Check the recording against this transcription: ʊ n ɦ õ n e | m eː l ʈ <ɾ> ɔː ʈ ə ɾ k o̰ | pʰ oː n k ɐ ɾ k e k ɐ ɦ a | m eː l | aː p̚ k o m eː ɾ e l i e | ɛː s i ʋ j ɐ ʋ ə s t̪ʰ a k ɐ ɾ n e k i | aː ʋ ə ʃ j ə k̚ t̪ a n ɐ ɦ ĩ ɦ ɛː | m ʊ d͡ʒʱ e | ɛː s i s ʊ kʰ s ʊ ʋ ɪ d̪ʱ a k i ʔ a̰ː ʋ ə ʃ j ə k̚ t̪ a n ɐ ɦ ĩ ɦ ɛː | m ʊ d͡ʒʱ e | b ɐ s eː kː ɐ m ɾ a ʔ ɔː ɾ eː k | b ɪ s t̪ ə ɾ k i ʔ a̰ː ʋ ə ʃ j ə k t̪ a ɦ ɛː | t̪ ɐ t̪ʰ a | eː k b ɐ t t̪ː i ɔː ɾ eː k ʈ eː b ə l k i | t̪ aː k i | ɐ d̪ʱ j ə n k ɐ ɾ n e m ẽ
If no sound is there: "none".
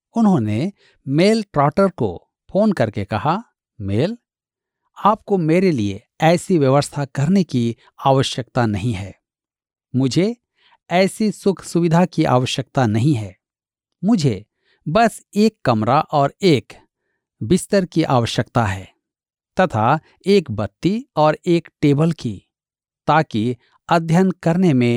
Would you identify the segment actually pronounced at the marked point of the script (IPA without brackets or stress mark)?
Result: ɾ